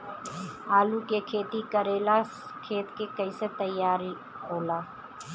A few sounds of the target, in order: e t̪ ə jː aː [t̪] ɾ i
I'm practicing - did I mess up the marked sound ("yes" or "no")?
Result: yes